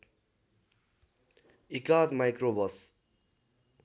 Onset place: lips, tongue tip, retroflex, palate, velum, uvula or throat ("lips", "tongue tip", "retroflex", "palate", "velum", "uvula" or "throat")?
velum